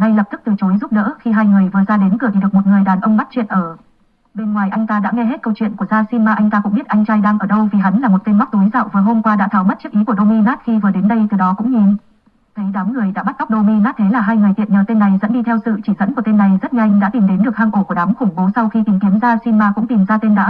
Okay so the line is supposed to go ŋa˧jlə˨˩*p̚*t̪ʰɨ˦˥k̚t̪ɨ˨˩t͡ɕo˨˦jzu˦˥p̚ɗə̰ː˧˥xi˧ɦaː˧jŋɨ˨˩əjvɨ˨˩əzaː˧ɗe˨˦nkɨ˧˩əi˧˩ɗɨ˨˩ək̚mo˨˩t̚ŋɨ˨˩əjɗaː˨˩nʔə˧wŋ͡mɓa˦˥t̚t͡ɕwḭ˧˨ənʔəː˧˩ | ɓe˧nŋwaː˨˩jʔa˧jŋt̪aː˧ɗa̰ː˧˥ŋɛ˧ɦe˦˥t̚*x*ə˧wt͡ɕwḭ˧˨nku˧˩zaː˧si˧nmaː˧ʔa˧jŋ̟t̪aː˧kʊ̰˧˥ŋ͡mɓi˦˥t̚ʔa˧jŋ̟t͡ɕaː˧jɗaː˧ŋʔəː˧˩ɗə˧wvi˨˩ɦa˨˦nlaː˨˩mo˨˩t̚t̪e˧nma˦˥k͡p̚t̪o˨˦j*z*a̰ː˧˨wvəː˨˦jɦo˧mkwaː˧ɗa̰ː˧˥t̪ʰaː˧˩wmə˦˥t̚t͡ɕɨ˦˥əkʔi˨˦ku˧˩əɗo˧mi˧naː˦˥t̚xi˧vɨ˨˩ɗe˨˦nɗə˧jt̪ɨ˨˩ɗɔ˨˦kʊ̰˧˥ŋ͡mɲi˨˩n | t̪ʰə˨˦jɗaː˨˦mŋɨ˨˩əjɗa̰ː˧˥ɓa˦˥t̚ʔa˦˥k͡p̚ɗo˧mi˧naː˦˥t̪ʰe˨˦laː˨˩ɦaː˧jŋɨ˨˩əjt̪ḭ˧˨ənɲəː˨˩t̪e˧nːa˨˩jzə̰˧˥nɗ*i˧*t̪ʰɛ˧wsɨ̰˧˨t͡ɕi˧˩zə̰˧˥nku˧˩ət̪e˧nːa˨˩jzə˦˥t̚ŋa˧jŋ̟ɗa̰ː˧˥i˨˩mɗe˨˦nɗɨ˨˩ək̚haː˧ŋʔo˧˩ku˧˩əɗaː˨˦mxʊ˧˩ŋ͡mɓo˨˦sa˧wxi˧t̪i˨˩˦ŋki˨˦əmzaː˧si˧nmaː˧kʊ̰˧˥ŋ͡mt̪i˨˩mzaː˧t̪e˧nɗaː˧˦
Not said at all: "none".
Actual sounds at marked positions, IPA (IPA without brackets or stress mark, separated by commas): p̚, k, z, i˧